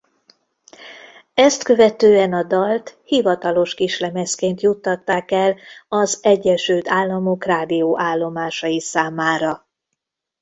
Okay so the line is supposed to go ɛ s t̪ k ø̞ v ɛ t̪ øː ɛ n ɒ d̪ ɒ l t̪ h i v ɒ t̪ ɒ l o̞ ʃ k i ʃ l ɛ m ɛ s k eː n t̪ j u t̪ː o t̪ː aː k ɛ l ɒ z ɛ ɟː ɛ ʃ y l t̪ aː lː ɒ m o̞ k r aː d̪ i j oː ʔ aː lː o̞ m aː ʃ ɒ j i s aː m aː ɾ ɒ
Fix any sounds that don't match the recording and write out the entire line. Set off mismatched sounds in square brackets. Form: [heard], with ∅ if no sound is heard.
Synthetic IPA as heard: ɛ s t̪ k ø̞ v ɛ t̪ øː ɛ n ɒ d̪ ɒ l t̪ h i v ɒ t̪ ɒ l o̞ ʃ k i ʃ l ɛ m ɛ s k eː n t̪ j u t̪ː [ɒ] t̪ː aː k ɛ l ɒ z ɛ ɟː ɛ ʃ y l t̪ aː lː ɒ m o̞ k r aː d̪ i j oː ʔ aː lː o̞ m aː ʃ ɒ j i s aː m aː ɾ ɒ